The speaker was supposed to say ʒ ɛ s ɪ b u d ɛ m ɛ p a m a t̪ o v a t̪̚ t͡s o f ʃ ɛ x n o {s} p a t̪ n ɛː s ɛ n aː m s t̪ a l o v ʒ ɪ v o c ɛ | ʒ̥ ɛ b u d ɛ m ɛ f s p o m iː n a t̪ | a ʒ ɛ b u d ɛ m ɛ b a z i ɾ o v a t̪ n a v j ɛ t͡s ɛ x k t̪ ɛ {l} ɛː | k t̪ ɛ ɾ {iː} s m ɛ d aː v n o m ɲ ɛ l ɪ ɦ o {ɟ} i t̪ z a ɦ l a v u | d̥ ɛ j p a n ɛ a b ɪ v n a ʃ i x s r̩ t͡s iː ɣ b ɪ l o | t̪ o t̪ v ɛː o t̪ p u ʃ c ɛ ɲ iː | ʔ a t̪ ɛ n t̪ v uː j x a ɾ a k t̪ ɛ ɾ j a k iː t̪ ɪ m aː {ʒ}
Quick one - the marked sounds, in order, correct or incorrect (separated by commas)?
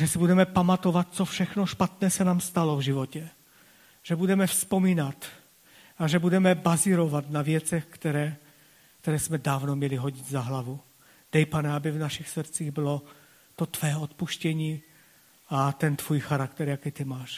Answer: incorrect, incorrect, incorrect, correct, incorrect